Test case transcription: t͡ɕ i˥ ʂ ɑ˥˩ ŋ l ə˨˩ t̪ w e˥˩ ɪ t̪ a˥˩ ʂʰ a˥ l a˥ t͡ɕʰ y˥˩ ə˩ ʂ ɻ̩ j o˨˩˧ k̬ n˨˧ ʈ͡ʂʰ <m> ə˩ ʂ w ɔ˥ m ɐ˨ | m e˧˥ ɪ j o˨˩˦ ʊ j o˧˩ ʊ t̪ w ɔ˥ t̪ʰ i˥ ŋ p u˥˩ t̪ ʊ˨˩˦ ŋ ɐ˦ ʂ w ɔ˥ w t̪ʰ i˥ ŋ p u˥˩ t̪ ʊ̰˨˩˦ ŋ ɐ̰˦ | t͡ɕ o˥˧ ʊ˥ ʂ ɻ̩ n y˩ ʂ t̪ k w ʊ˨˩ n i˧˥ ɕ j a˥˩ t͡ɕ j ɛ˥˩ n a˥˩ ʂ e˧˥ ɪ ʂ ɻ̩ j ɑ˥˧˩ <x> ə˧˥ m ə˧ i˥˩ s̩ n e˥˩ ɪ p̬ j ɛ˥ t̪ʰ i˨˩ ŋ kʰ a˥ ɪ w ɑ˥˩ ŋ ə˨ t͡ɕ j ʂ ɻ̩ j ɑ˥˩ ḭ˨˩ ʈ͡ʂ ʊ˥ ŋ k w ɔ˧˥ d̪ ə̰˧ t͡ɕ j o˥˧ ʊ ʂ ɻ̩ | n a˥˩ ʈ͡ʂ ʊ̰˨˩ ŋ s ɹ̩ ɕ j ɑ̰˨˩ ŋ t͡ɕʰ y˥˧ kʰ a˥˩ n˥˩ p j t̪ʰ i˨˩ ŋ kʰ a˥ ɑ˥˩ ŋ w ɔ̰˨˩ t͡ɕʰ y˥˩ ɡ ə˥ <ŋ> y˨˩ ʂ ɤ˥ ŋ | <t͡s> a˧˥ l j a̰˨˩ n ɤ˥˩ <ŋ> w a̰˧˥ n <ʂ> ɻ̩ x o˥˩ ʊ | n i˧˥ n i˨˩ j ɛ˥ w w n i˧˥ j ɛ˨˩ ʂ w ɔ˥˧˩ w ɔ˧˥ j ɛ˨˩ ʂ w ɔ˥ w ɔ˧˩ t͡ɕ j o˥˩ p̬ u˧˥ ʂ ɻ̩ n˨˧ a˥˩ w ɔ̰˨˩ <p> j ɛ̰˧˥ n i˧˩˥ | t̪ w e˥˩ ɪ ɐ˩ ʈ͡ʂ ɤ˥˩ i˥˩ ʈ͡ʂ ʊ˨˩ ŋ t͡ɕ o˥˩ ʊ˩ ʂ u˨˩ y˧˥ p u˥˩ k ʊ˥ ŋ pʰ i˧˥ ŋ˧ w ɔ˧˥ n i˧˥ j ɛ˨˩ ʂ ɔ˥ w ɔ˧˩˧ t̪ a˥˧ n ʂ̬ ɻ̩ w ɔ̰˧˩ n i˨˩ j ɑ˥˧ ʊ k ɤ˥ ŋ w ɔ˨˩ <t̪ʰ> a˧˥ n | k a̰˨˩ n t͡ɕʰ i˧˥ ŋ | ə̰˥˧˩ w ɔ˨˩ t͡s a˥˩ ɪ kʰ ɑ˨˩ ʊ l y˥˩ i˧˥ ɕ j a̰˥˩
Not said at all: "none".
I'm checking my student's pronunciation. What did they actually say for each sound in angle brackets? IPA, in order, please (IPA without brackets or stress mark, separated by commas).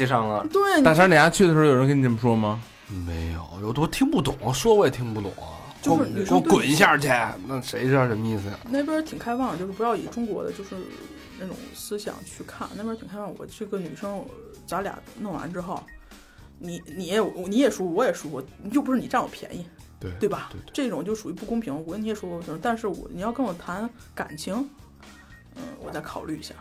m, ʂ, n, t͡s, ŋ, ʈ͡ʂ, pʰ, t̪ʰ